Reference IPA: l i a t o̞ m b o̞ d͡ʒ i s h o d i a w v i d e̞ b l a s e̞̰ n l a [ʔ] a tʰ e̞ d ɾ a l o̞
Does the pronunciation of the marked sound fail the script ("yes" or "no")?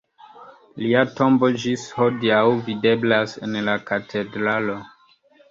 yes